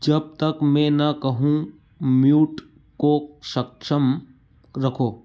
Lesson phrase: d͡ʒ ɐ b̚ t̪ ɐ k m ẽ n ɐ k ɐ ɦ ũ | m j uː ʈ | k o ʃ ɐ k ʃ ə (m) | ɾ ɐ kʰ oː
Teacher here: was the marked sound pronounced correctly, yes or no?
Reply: yes